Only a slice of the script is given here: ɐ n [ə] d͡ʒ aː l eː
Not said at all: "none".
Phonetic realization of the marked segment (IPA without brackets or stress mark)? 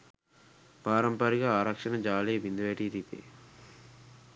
ɐ